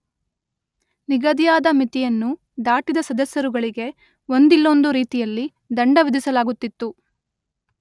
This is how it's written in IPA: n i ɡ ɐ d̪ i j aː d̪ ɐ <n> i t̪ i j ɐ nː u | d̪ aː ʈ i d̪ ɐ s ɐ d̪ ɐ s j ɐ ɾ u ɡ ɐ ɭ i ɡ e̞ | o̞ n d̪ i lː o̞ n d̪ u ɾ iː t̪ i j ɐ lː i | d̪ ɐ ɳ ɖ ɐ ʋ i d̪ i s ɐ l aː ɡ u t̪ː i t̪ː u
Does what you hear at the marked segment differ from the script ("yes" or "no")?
yes